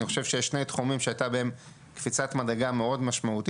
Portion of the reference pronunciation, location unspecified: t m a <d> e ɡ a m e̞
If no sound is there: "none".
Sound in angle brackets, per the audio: d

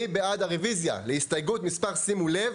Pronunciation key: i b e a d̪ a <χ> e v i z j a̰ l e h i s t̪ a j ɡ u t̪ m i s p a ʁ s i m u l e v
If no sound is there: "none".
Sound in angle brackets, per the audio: ʁ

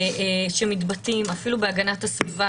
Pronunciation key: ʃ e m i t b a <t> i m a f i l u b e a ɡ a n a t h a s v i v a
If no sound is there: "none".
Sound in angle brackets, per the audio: t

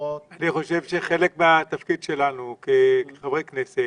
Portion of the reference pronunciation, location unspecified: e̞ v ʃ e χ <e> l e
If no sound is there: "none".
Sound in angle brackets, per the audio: e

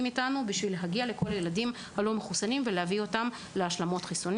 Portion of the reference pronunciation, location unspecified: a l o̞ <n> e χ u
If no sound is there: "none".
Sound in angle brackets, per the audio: m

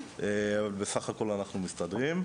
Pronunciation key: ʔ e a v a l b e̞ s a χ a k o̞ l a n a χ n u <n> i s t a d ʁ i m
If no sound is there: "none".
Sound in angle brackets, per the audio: m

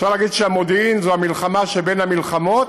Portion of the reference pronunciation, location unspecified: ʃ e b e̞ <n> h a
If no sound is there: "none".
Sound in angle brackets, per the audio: n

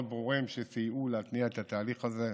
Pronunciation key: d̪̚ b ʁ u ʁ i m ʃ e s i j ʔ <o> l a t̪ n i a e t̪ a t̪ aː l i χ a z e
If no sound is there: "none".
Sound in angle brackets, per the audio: u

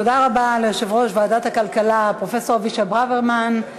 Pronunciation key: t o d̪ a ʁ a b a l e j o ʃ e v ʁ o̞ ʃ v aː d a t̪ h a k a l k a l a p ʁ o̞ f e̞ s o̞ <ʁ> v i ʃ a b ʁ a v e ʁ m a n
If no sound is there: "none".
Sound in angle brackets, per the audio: ʁ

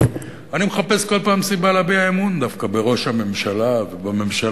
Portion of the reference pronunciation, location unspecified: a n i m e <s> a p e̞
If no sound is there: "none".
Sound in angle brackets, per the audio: χ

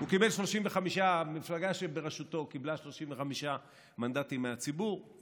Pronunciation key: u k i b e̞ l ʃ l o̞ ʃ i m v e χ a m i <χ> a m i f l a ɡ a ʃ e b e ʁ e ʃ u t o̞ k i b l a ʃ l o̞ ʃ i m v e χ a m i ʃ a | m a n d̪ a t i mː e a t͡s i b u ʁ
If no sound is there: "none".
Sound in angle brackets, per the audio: ʃ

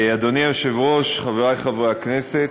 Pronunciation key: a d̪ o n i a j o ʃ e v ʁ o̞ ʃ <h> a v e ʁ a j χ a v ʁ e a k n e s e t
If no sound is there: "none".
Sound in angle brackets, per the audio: χ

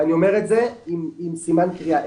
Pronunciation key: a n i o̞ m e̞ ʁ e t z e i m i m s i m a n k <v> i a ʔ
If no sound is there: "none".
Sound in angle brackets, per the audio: ʁ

